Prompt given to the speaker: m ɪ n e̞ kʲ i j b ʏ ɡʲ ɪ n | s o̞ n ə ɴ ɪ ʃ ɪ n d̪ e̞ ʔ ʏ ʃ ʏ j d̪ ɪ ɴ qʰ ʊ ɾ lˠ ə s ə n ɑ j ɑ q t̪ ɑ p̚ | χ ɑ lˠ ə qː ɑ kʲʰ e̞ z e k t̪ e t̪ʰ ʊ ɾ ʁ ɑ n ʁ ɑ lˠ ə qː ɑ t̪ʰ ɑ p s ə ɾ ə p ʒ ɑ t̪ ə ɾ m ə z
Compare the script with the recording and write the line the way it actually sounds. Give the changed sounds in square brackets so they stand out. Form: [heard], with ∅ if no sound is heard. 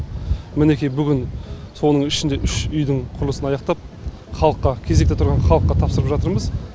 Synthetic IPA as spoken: m ɪ n e̞ kʲ i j b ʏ ɡʲ ɪ n | s o̞ n ə ɴ ɪ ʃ ɪ n d̪ e̞ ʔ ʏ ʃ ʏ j d̪ ɪ ɴ qʰ ʊ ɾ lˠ ə s ə n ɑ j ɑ q t̪ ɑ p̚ | χ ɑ lˠ ə qː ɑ kʲʰ e̞ z e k t̪ e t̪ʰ ʊ ɾ ʁ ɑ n [χ] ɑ lˠ ə qː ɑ t̪ʰ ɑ p s ə ɾ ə p ʒ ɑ t̪ ə ɾ m ə z